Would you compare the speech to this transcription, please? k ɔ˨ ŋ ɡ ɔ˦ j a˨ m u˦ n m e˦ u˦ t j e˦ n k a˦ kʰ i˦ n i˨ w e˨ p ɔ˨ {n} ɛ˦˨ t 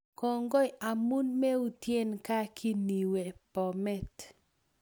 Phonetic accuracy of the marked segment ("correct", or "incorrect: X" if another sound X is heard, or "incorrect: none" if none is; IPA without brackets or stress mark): incorrect: m